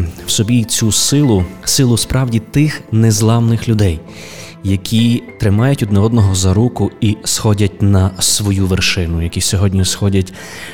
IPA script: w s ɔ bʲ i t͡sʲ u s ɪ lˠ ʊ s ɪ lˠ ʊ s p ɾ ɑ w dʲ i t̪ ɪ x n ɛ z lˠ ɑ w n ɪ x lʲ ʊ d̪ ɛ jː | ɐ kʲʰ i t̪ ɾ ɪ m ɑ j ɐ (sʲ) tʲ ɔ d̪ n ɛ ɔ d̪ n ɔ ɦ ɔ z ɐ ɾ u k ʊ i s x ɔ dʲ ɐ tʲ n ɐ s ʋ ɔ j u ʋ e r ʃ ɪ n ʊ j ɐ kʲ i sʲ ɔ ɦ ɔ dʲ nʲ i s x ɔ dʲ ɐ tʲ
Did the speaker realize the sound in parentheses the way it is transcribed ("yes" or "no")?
no